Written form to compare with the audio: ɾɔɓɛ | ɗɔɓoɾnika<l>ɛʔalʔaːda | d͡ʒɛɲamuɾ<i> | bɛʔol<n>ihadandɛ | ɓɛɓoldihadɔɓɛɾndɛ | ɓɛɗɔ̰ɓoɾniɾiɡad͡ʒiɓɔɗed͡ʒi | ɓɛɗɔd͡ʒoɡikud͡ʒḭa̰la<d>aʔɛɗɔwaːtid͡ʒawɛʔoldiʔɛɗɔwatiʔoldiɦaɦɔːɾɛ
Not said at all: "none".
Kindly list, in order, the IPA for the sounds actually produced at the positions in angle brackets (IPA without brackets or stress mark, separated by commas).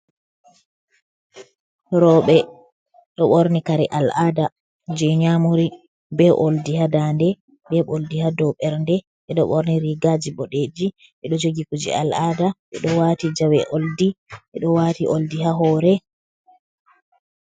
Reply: ɾ, i, d, d